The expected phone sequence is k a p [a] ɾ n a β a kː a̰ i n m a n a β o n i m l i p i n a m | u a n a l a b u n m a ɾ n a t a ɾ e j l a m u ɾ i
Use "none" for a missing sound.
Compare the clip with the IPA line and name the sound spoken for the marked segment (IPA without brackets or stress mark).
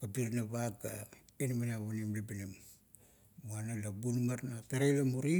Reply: i